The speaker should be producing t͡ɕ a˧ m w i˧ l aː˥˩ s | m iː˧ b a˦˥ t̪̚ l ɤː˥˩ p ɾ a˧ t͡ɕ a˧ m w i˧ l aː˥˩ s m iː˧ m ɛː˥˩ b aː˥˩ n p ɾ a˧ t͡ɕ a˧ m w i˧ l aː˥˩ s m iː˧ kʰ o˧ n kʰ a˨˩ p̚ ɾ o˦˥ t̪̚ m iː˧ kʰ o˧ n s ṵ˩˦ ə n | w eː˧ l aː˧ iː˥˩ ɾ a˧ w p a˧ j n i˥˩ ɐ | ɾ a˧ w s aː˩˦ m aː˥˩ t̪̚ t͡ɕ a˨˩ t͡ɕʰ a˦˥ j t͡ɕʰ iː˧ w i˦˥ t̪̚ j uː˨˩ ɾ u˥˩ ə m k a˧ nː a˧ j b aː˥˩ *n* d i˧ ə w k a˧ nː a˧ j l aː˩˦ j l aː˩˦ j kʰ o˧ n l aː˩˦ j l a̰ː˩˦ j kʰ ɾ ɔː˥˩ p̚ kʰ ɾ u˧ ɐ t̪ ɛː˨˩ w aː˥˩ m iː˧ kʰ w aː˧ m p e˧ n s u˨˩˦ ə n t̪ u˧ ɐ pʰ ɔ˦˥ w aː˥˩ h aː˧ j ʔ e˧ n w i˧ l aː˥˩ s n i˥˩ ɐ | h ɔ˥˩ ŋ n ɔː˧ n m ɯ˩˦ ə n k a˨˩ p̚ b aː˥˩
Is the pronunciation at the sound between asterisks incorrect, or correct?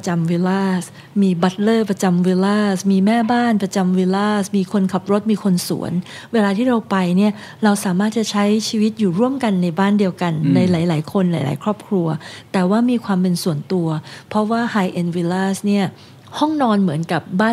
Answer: correct